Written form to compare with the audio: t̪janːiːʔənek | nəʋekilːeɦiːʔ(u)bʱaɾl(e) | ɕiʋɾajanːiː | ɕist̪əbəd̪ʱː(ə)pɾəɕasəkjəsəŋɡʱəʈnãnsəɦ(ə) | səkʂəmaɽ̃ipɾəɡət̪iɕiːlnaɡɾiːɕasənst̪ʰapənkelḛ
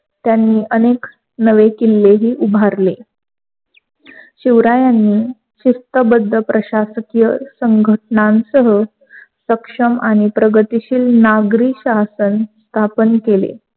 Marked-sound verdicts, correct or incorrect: correct, correct, correct, correct

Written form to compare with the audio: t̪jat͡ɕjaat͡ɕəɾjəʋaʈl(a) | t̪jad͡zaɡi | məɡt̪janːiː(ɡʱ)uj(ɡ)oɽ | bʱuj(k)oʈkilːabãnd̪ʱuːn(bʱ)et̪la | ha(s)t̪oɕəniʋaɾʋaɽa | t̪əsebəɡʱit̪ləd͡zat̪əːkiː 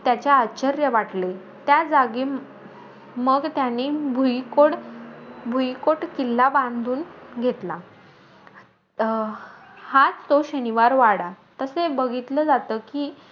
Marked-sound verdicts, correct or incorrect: incorrect, incorrect, incorrect, correct, incorrect, incorrect

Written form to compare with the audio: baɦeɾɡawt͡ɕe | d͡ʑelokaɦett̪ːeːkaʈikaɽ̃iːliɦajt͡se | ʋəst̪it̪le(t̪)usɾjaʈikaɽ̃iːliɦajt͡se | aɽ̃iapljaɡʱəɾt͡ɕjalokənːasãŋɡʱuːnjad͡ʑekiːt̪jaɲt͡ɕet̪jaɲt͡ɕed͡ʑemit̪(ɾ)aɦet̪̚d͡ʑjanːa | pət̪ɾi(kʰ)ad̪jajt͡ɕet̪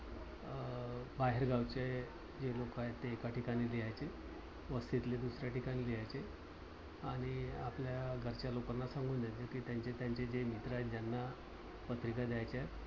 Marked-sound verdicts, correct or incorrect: incorrect, correct, incorrect

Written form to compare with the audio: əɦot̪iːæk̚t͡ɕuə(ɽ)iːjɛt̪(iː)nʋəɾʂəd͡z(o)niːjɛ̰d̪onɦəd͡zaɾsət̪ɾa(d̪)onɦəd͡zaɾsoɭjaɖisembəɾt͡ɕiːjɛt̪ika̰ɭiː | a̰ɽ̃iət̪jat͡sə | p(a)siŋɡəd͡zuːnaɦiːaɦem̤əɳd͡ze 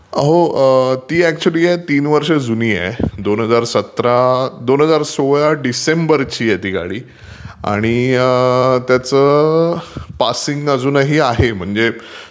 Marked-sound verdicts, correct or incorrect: incorrect, correct, incorrect, correct, correct

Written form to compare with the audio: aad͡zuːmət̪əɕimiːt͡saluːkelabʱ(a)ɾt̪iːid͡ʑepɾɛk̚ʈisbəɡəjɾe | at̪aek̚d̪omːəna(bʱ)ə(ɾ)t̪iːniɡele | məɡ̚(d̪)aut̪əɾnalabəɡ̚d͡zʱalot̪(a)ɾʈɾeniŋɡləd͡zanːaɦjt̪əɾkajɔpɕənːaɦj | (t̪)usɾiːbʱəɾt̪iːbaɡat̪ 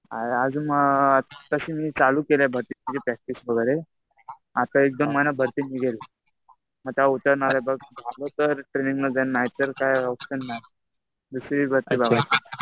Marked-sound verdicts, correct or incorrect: incorrect, correct, correct, incorrect, incorrect, incorrect

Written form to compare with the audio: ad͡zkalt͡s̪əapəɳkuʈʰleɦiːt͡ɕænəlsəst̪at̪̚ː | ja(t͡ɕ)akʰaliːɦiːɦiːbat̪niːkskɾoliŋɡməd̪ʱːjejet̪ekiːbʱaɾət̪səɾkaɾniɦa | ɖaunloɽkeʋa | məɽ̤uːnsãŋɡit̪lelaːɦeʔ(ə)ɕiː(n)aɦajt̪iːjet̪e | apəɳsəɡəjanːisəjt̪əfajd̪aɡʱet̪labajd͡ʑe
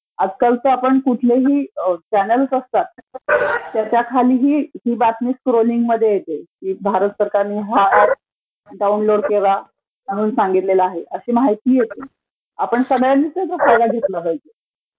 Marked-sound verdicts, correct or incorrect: correct, correct, incorrect

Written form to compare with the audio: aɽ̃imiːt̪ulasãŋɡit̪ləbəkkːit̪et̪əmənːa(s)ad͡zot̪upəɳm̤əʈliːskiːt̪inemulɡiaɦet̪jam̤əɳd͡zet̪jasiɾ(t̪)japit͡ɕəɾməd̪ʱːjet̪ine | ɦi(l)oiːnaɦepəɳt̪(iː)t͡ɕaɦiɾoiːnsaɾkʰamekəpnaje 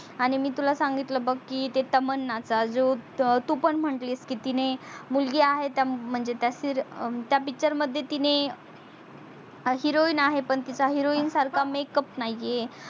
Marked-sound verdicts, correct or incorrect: incorrect, correct, incorrect, incorrect

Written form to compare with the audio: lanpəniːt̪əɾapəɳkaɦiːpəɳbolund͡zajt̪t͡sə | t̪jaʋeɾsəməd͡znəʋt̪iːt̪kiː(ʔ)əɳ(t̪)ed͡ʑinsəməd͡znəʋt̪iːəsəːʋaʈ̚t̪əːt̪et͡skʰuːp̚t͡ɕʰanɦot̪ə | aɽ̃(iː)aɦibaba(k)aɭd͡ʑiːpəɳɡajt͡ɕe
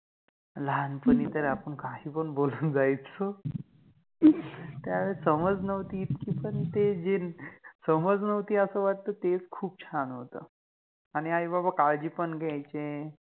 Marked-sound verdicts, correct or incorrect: incorrect, correct, incorrect, correct

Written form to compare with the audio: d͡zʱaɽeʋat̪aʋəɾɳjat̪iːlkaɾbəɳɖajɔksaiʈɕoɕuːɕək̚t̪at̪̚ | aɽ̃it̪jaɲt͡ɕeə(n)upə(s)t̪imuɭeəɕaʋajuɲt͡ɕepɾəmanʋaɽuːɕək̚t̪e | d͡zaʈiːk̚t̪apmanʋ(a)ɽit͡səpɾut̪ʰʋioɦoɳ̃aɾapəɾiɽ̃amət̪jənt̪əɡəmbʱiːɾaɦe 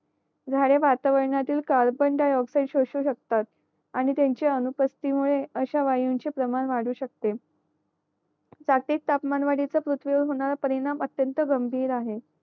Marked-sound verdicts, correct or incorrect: correct, correct, correct

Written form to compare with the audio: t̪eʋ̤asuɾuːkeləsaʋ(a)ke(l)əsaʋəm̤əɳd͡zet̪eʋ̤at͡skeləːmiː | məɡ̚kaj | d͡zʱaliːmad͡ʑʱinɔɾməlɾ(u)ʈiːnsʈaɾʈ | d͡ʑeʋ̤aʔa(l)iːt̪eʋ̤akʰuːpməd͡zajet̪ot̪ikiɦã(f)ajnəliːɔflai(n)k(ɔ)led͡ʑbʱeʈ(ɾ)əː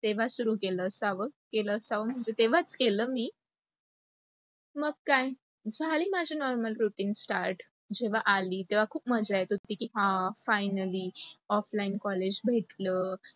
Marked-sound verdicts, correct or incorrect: incorrect, correct, correct, correct, correct, correct, correct, incorrect

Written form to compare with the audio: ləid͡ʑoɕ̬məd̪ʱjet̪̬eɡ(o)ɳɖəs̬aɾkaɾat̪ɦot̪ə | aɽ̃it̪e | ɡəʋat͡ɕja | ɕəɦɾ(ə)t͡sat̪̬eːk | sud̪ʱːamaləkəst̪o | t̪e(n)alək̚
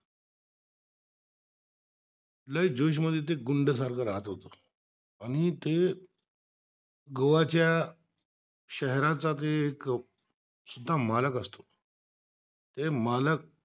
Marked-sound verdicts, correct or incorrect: incorrect, incorrect, incorrect

